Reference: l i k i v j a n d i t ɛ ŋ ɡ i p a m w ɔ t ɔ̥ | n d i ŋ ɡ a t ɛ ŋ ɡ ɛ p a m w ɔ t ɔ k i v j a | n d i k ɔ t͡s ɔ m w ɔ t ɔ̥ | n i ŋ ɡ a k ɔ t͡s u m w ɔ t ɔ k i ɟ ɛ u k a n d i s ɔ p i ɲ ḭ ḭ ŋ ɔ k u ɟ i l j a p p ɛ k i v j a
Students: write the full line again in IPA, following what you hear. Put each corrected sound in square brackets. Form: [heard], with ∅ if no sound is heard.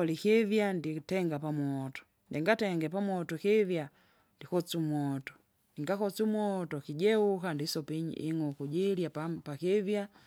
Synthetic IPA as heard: l i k i v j a n d i t ɛ ŋ ɡ [a] p a m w ɔ t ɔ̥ | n d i ŋ ɡ a t ɛ ŋ ɡ ɛ p a m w ɔ t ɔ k i v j a | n d i k ɔ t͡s [u] m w ɔ t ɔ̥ | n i ŋ ɡ a k ɔ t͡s u m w ɔ t ɔ k i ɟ ɛ u k a n d i s ɔ p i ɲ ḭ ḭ ŋ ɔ k u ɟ i l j a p p [a] k i v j a